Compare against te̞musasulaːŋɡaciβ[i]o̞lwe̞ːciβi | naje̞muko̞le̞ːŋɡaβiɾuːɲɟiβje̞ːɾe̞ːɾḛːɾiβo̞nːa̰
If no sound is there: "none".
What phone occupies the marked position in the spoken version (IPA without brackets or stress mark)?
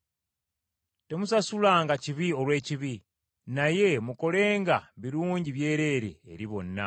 i